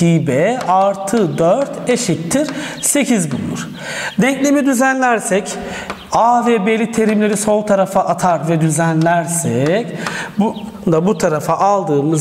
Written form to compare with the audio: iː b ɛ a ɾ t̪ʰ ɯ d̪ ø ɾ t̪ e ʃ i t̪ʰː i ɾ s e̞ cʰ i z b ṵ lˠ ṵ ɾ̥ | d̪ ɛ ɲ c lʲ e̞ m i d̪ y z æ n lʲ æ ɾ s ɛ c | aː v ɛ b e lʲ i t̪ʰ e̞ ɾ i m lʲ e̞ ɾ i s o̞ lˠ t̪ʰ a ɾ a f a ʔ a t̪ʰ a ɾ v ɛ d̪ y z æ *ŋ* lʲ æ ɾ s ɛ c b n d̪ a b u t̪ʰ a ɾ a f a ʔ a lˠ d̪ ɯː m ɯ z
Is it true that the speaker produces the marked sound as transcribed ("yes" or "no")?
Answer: no